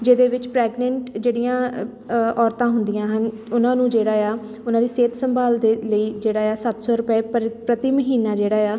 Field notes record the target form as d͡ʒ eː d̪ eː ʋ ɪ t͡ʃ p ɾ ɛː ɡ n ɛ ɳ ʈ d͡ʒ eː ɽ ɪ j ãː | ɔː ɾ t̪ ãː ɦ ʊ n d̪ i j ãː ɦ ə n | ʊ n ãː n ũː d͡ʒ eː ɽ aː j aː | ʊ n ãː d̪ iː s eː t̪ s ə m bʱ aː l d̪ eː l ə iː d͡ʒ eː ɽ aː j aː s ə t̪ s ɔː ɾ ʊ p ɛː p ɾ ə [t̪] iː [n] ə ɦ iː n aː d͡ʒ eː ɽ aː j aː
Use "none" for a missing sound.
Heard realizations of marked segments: t̪, m

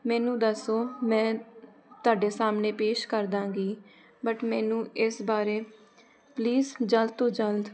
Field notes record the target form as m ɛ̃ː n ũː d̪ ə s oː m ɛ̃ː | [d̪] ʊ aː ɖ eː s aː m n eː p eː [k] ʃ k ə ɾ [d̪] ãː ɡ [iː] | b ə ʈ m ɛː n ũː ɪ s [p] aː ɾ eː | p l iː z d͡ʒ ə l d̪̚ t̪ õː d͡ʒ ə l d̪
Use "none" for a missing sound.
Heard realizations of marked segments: t̪, none, d̪, iː, b

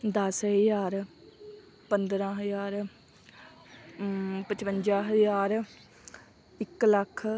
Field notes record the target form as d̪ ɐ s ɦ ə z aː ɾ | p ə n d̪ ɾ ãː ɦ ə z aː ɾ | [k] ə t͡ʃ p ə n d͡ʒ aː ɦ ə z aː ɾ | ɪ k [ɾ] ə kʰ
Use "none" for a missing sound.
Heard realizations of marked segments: p, l

